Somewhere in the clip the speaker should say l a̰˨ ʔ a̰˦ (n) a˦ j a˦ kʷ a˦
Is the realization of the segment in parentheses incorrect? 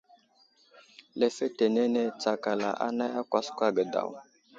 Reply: no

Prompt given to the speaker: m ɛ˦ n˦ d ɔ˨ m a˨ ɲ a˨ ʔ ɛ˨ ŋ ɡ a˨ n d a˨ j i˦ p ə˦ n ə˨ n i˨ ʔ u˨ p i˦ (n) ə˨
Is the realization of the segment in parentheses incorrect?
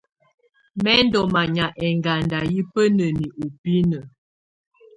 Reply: no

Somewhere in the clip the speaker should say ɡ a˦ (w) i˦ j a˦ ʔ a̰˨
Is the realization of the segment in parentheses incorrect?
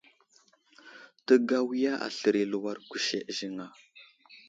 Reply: no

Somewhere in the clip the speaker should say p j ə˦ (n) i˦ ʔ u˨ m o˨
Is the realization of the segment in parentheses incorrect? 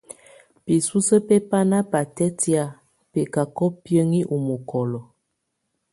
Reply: yes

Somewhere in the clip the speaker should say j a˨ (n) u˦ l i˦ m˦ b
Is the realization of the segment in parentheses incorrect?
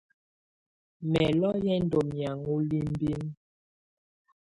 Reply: yes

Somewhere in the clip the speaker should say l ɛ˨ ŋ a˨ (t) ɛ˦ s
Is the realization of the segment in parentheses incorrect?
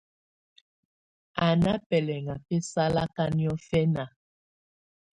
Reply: yes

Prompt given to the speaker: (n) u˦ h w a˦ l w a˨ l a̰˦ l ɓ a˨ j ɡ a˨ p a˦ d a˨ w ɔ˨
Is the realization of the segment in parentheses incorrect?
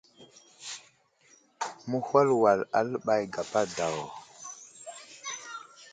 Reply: yes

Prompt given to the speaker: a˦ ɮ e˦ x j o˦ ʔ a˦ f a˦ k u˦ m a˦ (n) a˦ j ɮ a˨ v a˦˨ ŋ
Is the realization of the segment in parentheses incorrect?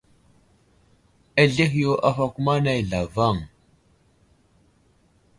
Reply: no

